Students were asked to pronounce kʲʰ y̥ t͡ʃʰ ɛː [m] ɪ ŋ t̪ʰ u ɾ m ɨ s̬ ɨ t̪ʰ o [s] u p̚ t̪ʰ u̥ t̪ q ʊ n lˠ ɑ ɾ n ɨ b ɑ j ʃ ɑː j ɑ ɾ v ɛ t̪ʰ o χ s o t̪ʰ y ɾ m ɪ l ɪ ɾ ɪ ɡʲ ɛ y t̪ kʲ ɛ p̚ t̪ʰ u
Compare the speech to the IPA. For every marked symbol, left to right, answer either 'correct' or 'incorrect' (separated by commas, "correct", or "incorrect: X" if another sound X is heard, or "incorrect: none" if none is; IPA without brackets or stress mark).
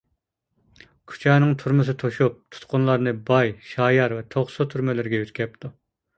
incorrect: n, incorrect: ʃ